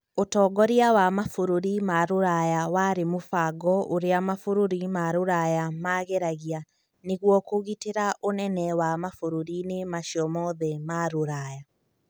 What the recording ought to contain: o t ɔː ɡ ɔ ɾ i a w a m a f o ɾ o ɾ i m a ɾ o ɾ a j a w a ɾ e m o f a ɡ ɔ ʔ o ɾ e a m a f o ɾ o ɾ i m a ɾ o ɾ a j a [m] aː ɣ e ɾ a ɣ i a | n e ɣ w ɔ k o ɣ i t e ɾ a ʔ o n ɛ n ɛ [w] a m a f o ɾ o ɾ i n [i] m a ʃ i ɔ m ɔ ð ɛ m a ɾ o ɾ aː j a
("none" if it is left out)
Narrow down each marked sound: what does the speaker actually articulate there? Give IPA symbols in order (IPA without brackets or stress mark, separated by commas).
m, w, e